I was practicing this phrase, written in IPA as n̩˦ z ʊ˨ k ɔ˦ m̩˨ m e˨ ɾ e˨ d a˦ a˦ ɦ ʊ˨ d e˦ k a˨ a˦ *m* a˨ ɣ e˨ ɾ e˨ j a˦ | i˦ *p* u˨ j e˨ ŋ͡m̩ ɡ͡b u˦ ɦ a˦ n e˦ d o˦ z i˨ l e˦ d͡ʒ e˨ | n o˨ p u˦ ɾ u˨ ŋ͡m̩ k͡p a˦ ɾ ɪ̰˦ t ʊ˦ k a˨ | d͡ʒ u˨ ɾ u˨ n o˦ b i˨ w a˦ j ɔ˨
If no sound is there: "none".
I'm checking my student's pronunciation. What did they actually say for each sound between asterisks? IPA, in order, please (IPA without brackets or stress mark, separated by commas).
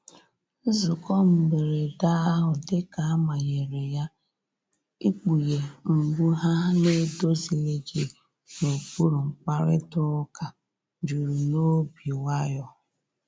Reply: m, k͡p